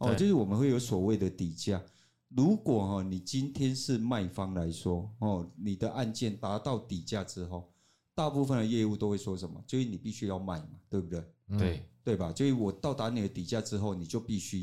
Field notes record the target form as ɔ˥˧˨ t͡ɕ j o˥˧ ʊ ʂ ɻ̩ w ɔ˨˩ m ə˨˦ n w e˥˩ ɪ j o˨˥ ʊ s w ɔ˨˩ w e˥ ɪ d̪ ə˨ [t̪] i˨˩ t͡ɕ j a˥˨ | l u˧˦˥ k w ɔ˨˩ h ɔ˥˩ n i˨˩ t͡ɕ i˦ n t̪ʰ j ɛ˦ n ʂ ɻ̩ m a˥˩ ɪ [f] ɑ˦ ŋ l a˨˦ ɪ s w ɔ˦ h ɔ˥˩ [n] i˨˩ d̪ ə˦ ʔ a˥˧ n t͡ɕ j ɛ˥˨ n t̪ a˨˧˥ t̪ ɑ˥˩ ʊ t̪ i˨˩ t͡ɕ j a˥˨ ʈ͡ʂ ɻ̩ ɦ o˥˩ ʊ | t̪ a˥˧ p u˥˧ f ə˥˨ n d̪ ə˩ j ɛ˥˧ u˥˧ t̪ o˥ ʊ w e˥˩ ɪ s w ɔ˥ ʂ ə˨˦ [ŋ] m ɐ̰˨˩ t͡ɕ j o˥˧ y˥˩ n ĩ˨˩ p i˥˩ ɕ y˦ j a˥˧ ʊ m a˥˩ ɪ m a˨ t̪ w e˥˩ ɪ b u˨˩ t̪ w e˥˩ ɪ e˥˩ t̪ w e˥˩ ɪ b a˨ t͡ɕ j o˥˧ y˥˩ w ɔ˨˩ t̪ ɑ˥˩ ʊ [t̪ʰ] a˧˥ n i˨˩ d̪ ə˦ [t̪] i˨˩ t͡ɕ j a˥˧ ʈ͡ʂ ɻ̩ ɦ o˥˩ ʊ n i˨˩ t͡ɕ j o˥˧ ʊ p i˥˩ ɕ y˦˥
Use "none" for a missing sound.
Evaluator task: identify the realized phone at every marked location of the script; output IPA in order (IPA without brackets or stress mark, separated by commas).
t̪, f, n, n, t̪, t̪